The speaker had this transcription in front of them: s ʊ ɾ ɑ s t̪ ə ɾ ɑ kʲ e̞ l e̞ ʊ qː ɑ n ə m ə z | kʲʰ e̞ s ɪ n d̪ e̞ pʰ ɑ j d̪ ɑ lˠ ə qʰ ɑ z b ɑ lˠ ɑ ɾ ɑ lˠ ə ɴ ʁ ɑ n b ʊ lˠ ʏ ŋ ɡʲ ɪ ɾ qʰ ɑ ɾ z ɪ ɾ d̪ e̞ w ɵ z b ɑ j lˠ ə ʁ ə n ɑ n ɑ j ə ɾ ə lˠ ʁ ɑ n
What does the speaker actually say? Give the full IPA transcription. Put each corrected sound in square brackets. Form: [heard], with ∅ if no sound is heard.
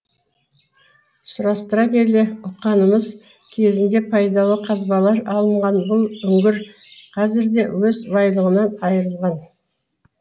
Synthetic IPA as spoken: s ʊ ɾ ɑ s t̪ ə ɾ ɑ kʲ e̞ l e̞ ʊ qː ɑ n ə m ə z | kʲʰ e̞ [z] ɪ n d̪ e̞ pʰ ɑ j d̪ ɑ lˠ ə qʰ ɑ z b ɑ lˠ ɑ ɾ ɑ lˠ ə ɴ ʁ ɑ n b ʊ lˠ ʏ ŋ ɡʲ ɪ ɾ qʰ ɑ [∅] z ɪ ɾ d̪ e̞ w ɵ z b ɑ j lˠ ə ʁ ə n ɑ n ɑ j ə ɾ ə lˠ ʁ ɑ n